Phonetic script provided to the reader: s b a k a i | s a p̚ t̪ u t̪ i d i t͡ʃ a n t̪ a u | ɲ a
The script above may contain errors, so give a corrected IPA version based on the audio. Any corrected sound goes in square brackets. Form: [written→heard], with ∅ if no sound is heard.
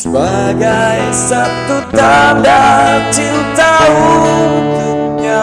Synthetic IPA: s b a [k→ɡ] a [i→j] | s a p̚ t̪ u t̪ [i→a] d [i→a] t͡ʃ [a→i] n t̪ a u | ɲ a